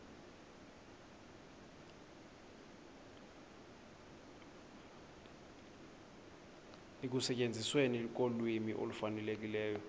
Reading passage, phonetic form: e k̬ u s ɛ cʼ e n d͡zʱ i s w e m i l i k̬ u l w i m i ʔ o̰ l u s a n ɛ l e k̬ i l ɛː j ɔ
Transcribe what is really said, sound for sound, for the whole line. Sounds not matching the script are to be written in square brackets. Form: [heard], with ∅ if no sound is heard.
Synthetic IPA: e k̬ u s ɛ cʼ e n d͡zʱ i s w e [n] i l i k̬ [o] l w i m i ʔ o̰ l u [f] a n ɛ l e k̬ i l ɛː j ɔ